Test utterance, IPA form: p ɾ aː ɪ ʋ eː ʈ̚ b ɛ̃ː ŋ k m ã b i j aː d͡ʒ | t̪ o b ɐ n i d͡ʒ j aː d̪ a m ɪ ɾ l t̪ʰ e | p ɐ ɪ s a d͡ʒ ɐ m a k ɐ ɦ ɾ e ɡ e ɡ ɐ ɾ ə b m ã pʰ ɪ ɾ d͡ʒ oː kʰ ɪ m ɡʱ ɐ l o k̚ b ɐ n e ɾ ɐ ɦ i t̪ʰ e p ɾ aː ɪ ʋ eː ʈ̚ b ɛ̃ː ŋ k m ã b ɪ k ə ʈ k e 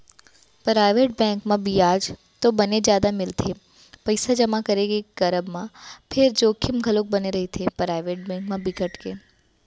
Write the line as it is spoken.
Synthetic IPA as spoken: p ɾ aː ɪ ʋ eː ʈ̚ b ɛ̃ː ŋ k m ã b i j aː d͡ʒ | t̪ o b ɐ n e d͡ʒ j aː d̪ a m ɪ l t̪ʰ e | p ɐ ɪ s a d͡ʒ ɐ m a k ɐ ɾ e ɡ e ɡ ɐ ɾ ə b m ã pʰ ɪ ɾ d͡ʒ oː kʰ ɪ m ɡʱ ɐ l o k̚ b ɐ n e ɾ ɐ ɦ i t̪ʰ e p ɾ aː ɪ ʋ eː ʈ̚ b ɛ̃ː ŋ k m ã b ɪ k ə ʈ k e